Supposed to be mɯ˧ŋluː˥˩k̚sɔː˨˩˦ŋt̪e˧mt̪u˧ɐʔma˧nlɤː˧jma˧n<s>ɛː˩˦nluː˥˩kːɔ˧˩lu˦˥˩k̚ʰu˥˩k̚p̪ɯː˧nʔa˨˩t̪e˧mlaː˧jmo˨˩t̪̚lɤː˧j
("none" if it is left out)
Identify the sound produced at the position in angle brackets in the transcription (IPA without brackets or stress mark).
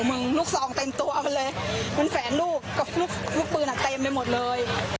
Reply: f